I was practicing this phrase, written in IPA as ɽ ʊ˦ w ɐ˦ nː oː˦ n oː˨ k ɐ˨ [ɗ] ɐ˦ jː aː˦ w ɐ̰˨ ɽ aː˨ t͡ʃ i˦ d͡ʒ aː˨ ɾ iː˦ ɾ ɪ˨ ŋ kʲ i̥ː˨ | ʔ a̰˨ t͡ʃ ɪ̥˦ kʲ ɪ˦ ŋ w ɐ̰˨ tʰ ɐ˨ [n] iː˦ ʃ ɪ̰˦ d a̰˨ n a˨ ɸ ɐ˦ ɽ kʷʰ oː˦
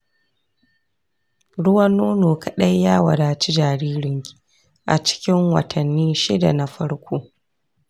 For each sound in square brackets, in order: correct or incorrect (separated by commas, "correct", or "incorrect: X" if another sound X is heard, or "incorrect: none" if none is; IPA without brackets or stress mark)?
correct, incorrect: nː